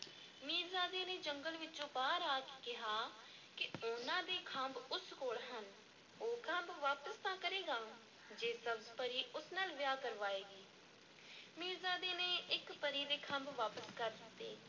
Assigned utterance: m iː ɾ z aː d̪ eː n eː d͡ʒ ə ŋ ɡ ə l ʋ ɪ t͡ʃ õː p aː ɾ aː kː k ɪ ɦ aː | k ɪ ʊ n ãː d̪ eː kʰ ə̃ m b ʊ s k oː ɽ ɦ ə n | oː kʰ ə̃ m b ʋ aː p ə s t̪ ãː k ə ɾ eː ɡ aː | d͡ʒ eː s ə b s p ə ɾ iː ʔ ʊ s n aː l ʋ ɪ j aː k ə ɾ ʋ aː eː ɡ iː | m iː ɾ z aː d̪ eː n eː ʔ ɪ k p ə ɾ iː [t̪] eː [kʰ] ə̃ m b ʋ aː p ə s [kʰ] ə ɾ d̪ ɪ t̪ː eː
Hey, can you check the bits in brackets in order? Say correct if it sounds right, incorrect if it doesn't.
incorrect: d̪, correct, incorrect: k

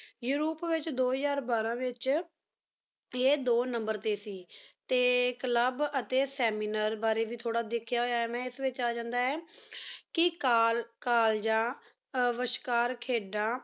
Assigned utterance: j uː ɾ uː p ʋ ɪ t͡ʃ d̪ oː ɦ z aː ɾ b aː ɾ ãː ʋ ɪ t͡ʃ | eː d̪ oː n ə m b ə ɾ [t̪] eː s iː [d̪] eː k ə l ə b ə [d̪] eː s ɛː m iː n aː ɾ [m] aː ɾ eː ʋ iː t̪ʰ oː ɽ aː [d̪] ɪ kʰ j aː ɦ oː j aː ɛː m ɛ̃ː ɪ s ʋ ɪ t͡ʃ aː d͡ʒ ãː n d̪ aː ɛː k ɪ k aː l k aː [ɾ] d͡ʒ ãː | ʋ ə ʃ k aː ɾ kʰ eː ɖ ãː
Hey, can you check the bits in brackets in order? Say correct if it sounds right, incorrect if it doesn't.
correct, incorrect: t̪, incorrect: t̪, incorrect: b, correct, incorrect: l

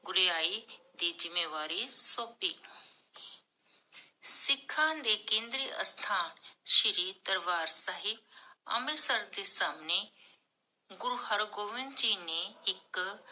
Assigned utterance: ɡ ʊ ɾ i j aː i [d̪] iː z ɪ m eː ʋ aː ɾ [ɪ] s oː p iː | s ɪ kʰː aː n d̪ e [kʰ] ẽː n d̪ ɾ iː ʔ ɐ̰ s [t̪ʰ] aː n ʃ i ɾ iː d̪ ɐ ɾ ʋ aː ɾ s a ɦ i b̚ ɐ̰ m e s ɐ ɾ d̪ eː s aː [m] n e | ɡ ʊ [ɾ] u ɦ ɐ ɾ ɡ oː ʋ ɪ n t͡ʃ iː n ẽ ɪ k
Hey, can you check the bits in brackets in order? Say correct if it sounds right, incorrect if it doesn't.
correct, incorrect: i, incorrect: k, correct, correct, correct

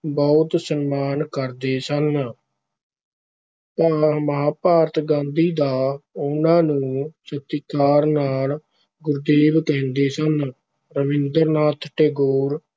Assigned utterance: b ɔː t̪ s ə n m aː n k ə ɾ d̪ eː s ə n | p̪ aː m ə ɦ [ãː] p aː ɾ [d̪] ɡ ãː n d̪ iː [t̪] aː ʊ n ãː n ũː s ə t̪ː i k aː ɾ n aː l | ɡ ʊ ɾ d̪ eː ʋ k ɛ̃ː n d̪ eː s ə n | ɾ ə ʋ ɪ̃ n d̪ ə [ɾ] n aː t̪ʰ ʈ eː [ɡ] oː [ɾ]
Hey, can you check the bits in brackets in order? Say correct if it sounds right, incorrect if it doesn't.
incorrect: aː, incorrect: t̪, incorrect: d̪, correct, correct, correct

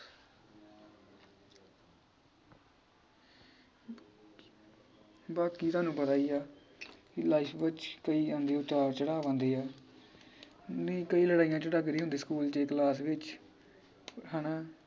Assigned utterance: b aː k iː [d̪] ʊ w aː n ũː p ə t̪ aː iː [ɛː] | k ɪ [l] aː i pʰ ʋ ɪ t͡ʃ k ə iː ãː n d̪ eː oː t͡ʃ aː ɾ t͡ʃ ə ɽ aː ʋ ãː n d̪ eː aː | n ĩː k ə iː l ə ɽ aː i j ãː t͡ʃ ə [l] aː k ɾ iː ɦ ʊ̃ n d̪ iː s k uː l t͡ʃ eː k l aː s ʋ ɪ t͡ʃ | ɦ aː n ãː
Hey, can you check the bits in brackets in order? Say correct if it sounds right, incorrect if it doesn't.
incorrect: t̪, incorrect: aː, correct, incorrect: ɽ

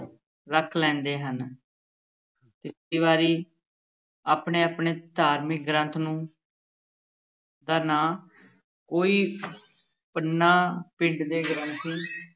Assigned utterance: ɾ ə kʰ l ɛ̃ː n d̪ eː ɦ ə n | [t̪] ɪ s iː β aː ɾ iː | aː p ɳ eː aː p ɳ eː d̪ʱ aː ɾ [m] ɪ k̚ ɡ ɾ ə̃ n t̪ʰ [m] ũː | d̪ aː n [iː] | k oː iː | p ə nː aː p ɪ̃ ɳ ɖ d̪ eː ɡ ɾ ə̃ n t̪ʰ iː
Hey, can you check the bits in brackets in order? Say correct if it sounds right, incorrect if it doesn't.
correct, correct, incorrect: n, incorrect: aː

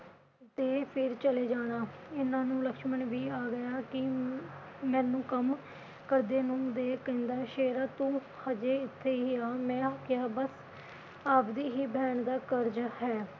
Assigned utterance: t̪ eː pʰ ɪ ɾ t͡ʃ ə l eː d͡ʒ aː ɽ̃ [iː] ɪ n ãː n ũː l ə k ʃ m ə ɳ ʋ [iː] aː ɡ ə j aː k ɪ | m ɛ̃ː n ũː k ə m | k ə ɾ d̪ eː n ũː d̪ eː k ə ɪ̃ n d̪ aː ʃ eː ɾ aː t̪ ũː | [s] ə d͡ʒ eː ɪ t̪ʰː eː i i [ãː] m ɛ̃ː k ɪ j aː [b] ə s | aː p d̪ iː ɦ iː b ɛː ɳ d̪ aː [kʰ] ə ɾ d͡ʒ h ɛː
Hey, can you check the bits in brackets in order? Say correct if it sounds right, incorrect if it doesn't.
incorrect: aː, correct, incorrect: h, incorrect: aː, correct, incorrect: k

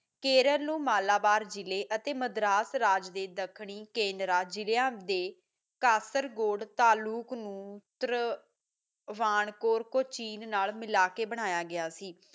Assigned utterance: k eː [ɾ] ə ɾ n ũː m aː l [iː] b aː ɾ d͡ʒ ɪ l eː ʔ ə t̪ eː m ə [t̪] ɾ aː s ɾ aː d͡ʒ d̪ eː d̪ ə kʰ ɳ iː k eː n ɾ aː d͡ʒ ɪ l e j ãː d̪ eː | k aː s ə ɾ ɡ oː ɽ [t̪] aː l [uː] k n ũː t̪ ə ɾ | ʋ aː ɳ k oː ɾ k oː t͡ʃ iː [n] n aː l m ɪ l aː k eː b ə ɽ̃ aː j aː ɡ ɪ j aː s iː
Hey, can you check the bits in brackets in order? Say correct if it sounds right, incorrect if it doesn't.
correct, incorrect: aː, incorrect: d̪, correct, correct, correct

